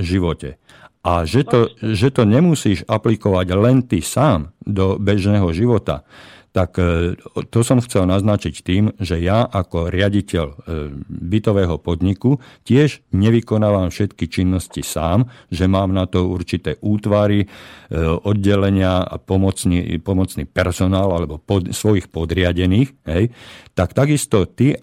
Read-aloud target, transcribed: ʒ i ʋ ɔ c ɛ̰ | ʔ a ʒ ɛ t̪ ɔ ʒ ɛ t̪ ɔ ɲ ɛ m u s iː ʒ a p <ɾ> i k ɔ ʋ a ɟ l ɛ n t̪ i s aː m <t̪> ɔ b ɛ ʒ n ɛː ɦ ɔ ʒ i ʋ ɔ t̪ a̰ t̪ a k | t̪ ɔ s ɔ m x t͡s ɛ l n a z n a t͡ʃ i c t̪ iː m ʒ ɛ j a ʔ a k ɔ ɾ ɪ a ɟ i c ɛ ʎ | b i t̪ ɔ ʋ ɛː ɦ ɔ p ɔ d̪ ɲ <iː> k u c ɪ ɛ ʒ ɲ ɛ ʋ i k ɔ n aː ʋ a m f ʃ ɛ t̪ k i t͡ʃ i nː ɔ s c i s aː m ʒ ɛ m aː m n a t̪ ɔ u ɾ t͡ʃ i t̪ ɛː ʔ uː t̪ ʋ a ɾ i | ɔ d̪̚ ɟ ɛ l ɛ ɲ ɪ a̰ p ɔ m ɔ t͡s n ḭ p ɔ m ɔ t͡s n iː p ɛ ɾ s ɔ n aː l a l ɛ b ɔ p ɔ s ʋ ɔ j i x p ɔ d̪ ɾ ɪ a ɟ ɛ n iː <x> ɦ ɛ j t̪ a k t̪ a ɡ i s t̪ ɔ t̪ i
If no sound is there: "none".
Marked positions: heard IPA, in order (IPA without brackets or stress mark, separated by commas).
l, d̪, i, x